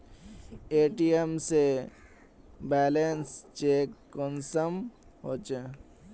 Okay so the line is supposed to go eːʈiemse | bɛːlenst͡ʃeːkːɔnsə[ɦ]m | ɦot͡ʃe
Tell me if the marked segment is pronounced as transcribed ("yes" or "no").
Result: no